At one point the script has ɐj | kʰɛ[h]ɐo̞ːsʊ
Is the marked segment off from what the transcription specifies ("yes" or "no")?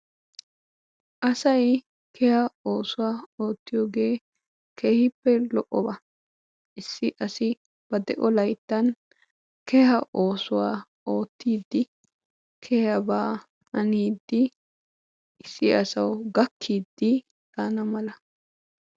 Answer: no